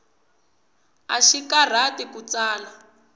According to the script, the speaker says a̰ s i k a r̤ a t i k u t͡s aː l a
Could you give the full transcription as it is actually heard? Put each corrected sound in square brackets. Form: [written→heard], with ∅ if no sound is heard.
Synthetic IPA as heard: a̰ [s→ʃ] i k a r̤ a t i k u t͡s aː l a